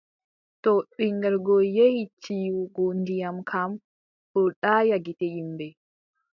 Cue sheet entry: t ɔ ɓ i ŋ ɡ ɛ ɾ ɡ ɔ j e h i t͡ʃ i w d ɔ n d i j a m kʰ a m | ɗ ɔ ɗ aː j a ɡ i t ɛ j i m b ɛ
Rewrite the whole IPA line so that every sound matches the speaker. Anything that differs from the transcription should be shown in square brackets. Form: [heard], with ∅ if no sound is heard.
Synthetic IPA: t ɔ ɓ i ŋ ɡ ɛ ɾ ɡ ɔ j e h i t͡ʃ i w [ɡ] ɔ n d i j a m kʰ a m | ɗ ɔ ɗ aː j a ɡ i t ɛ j i m b ɛ